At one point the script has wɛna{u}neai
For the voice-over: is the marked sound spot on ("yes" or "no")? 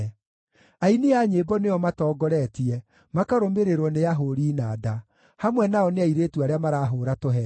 no